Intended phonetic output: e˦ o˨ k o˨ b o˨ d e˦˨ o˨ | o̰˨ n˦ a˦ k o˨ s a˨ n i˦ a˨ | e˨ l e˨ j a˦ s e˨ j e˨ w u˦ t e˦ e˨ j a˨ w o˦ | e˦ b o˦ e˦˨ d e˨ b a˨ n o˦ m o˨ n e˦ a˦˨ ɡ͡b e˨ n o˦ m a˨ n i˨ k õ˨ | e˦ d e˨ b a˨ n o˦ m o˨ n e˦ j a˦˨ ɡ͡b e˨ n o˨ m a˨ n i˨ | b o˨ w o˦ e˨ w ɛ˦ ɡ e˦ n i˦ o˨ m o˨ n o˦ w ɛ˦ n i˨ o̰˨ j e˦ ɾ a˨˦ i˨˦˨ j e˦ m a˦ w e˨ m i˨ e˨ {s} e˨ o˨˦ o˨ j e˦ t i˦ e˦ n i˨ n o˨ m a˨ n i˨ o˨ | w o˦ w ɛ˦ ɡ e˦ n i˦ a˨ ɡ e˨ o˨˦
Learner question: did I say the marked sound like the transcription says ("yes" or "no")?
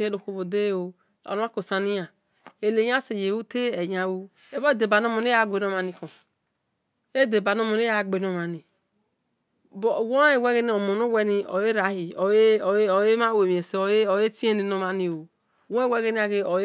yes